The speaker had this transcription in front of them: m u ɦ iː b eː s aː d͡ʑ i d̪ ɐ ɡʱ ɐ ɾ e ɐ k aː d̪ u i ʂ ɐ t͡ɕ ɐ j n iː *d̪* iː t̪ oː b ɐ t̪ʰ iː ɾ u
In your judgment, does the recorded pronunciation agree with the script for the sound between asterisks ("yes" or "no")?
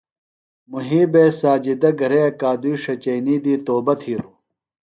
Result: yes